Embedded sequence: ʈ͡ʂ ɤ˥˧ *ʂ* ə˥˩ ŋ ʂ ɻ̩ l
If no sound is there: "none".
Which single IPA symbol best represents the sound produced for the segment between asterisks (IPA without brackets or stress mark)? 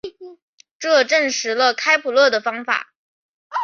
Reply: ʈ͡ʂ